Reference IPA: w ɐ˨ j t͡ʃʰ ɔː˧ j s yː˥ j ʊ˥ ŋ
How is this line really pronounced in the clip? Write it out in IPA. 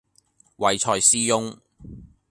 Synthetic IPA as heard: w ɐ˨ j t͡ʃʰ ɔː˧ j s iː˥ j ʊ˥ ŋ